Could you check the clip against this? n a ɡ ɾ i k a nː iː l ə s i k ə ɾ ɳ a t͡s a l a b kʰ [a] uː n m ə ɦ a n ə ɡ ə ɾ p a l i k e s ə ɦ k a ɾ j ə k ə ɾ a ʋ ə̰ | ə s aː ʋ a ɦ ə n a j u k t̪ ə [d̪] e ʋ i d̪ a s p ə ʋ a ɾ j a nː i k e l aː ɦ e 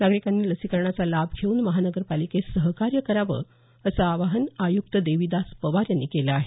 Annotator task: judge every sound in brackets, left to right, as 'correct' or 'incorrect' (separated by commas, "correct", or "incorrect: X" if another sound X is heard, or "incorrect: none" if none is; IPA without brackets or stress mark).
incorrect: e, correct